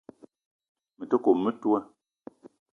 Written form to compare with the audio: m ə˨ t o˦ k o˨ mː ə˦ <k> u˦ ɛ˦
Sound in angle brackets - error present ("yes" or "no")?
yes